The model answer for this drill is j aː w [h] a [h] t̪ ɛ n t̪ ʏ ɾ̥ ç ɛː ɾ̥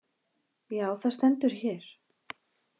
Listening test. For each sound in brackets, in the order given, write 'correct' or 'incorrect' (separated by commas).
incorrect, incorrect